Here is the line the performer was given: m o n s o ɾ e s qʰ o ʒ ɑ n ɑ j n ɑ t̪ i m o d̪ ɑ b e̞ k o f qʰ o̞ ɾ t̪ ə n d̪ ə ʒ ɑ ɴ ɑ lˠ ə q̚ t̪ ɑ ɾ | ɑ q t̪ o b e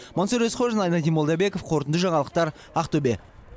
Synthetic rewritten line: m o n s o ɾ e s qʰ o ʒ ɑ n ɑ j n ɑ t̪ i m o d̪ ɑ b e̞ k o f qʰ o̞ ɾ t̪ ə n d̪ ə ʒ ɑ ɴ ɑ lˠ ə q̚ t̪ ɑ ɾ | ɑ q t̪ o b e